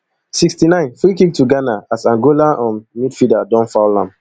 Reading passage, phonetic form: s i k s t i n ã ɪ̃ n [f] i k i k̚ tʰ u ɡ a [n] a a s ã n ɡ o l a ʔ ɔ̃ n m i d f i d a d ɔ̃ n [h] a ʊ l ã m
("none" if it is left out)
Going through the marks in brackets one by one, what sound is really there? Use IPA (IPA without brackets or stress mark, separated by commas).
f, n, f